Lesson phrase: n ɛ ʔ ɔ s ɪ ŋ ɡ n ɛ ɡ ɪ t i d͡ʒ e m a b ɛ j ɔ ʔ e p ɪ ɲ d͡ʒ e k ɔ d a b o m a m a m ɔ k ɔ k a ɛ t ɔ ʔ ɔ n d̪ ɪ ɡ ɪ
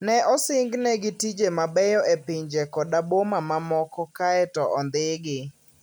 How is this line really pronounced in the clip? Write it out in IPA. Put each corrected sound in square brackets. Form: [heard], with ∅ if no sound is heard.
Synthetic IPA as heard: n ɛ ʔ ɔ s ɪ ŋ ɡ n ɛ ɡ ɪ t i d͡ʒ e m a b ɛ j ɔ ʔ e p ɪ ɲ d͡ʒ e k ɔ d a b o m a m a m ɔ k ɔ k a ɛ t ɔ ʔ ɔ n d̪ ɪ ɡ ɪ